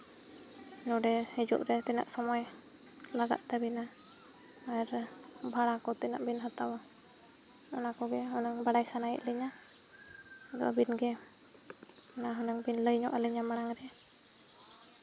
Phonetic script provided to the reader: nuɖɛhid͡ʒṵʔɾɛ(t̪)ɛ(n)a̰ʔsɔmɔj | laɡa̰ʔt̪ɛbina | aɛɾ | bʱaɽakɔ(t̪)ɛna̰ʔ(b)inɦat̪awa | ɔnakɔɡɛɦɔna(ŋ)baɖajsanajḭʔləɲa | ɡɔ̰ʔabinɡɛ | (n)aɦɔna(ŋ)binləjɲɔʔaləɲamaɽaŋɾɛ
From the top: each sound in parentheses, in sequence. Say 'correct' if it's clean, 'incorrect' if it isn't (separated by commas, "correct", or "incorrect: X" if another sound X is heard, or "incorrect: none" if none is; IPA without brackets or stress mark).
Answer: correct, correct, correct, correct, correct, correct, correct